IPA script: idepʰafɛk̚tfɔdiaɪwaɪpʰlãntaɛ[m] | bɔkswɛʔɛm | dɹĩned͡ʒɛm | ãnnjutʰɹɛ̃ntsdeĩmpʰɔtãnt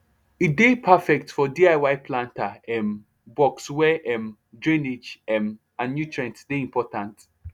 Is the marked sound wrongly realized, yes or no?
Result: no